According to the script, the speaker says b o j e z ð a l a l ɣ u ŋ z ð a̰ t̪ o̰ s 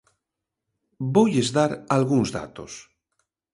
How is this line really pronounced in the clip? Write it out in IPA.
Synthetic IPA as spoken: b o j e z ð a ɾ a l ɣ u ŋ z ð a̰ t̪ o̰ s